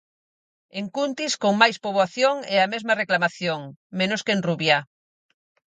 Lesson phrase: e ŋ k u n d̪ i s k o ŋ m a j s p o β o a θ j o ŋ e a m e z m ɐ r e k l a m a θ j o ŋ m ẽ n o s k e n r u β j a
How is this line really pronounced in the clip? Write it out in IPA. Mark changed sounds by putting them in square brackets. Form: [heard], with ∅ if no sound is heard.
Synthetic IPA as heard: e ŋ k u n [t̪] i s k o ŋ m a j s p o β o a θ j o ŋ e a m e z m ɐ r e k l a m a θ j o ŋ m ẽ n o s k e n r u β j a